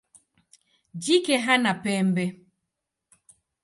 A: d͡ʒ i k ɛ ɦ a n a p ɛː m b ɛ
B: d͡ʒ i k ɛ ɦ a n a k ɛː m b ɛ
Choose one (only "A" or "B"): A